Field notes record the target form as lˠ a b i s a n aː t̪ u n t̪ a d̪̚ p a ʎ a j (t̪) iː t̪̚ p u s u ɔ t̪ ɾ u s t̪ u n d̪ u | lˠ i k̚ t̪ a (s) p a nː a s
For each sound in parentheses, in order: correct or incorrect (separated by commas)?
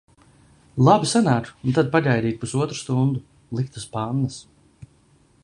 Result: incorrect, correct